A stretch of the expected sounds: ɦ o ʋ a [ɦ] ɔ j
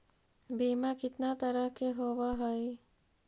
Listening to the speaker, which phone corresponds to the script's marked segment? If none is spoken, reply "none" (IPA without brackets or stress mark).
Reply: ɦ